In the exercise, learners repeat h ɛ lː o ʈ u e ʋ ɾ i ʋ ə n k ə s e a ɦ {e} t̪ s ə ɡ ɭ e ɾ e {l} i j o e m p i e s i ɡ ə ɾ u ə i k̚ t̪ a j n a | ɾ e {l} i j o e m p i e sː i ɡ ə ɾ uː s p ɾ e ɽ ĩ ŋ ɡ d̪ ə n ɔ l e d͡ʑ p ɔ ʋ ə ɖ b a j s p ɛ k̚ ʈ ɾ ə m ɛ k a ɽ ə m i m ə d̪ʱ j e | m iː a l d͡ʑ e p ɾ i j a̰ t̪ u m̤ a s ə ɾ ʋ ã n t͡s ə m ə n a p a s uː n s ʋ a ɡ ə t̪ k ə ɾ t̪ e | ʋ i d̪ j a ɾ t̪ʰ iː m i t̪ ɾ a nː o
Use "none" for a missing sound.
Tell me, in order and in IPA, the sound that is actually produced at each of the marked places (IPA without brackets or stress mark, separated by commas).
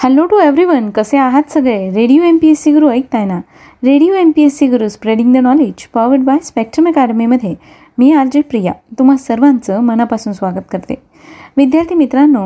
a, ɽ, ɽ